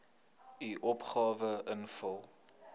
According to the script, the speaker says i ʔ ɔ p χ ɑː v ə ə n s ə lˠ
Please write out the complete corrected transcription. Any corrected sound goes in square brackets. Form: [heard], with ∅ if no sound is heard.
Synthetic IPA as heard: i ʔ ɔ p χ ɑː v ə ə n [f] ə lˠ